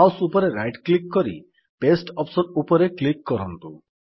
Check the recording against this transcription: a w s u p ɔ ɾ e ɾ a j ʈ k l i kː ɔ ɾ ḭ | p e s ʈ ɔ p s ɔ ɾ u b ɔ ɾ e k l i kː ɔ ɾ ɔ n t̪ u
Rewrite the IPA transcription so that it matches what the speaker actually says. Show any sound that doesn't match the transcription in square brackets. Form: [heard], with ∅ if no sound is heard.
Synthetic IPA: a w s u p ɔ ɾ e ɾ a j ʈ k l i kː ɔ ɾ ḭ | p e s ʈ ɔ p s ɔ ɾ u [p] ɔ ɾ e k l i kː ɔ ɾ ɔ n t̪ u